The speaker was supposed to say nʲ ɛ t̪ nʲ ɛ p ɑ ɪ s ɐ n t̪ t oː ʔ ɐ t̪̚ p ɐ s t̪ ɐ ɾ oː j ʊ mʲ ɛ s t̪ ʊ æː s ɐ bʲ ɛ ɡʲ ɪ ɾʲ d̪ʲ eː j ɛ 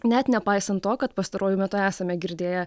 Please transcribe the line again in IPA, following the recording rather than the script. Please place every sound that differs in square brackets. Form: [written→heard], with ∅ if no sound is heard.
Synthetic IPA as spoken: nʲ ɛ t̪ nʲ ɛ p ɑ ɪ s ɐ n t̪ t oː [ʔ→k] ɐ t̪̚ p ɐ s t̪ ɐ ɾ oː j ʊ mʲ ɛ [s→∅] t̪ ʊ æː s ɐ [bʲ→mʲ] ɛ ɡʲ ɪ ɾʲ d̪ʲ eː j ɛ